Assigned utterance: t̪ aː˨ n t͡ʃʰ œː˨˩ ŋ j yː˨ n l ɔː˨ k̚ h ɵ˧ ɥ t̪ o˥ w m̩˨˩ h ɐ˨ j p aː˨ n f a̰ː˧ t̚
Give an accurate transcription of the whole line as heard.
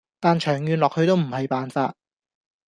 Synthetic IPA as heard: t̪ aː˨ n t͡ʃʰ œː˨˩ ŋ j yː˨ n l ɔː˨ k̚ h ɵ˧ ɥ t̪ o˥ w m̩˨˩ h ɐ˨ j p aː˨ n f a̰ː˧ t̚